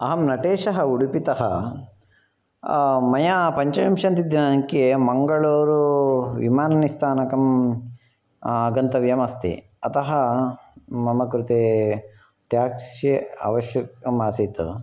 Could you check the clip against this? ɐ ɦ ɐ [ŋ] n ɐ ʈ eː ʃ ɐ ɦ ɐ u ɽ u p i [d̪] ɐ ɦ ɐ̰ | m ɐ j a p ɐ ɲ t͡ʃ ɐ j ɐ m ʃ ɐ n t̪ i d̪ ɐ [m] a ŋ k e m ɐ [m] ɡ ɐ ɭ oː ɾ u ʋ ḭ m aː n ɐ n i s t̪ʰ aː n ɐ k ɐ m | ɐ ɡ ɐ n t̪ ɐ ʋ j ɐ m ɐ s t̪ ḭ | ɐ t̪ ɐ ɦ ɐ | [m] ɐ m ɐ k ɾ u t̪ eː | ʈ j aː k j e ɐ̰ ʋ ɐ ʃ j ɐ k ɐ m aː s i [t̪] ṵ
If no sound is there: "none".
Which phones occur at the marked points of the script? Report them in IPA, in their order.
m, t̪, n, ŋ, m, t̪

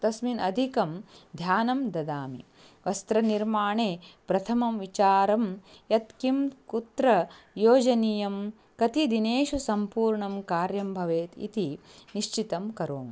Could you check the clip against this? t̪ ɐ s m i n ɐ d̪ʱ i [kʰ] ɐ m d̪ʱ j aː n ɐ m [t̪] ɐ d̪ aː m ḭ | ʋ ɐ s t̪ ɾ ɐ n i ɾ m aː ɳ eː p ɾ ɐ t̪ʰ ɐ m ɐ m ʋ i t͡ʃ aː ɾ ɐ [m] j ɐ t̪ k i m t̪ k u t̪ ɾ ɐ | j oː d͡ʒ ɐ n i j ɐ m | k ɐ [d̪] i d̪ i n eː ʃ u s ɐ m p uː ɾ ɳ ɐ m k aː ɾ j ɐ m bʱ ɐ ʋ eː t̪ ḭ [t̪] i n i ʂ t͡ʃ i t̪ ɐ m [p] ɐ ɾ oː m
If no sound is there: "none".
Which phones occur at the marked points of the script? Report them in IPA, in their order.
k, d̪, m, t̪, t̪, k

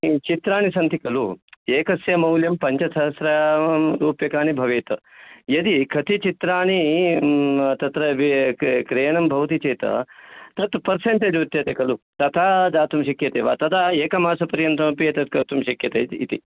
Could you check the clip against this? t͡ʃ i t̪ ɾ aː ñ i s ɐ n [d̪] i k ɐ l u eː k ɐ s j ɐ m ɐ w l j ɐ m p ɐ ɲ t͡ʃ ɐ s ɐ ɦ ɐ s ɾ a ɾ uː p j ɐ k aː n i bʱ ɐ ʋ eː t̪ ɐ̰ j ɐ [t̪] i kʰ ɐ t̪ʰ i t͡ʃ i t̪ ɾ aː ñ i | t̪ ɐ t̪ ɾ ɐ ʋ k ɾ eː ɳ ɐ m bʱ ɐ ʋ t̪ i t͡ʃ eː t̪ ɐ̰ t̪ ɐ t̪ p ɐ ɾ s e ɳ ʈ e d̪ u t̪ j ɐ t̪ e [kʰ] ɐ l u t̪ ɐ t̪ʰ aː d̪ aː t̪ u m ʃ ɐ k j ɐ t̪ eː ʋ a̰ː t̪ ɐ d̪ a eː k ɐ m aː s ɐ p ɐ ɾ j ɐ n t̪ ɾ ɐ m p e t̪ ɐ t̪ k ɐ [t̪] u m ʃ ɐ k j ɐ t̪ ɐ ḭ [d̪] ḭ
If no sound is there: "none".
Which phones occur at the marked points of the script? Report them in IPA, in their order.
t̪, d̪, k, t̪, t̪

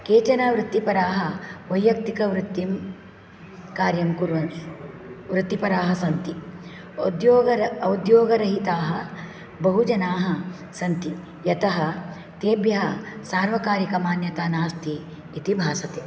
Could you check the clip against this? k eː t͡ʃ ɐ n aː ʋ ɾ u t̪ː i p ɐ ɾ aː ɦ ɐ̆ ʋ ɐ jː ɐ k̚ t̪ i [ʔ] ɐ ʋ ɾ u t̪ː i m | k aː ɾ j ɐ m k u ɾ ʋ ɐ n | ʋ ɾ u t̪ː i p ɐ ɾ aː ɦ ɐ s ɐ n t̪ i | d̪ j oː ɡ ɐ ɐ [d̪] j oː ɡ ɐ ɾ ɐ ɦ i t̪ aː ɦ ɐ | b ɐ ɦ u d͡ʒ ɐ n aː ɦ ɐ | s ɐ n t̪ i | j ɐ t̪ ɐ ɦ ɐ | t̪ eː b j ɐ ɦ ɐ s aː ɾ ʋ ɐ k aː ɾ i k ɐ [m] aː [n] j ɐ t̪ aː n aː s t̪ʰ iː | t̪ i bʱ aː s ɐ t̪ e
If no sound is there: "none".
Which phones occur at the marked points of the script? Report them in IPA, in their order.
k, d̪, m, n

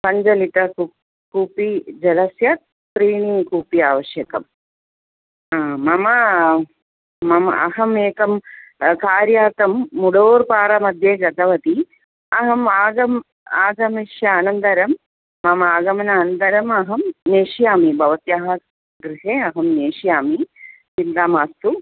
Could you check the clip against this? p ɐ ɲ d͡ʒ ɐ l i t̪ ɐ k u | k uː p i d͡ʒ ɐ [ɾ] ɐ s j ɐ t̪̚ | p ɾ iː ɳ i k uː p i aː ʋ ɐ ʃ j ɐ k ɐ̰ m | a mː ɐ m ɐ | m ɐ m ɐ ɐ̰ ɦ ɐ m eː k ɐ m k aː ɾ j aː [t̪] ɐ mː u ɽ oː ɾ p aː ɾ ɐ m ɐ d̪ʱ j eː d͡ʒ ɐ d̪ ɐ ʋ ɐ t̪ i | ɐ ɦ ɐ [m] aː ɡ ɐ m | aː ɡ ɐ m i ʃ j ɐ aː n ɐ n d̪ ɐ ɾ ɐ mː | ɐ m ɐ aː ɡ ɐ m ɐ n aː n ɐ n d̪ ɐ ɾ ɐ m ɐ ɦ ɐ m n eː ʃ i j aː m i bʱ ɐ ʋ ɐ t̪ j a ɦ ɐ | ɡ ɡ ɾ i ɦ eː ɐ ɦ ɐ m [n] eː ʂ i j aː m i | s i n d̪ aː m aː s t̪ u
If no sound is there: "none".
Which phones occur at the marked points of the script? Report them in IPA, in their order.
l, t̪, m, n

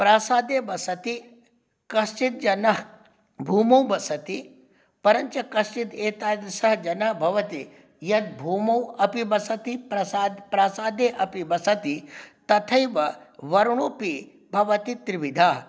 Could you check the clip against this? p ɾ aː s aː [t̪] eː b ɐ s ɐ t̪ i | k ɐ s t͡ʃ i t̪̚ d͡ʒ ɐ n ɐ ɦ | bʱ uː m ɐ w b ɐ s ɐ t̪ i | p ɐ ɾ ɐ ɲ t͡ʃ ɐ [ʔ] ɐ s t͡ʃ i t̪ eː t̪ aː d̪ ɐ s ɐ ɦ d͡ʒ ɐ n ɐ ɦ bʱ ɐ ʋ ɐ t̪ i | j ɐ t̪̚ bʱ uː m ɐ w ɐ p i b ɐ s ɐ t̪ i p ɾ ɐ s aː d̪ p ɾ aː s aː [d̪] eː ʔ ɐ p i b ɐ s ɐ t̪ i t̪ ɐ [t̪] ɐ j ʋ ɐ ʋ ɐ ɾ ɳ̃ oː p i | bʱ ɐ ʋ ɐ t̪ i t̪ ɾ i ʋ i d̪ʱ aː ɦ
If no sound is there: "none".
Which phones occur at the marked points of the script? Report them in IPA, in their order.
d̪, k, d̪, t̪ʰ

